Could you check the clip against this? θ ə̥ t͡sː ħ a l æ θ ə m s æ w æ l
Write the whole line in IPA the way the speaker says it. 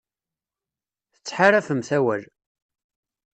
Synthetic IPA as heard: θ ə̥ t͡sː ħ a ɾ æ f ə m θ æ w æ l